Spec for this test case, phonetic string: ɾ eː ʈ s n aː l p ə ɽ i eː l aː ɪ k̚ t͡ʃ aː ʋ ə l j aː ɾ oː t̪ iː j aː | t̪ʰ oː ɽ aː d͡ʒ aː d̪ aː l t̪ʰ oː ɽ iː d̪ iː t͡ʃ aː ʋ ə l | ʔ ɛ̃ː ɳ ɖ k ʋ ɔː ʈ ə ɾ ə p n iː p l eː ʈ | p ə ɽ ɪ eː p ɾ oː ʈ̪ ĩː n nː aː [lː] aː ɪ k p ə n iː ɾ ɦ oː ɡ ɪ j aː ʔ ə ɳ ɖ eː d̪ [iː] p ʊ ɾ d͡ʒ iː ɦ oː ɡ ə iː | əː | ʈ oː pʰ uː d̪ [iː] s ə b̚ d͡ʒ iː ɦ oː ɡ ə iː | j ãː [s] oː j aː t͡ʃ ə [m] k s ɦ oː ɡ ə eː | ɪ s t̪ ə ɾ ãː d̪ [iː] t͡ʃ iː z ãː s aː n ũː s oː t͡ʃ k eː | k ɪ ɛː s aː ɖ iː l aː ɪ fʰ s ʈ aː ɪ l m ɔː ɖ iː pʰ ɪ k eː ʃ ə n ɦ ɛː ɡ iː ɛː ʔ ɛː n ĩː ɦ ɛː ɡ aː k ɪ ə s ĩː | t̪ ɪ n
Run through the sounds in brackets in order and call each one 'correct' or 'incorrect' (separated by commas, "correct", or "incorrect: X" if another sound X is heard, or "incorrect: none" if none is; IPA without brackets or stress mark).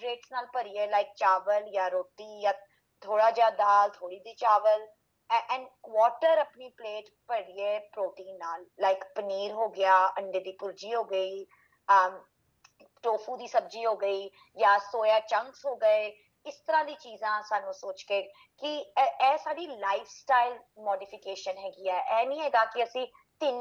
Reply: correct, correct, correct, correct, incorrect: ŋ, correct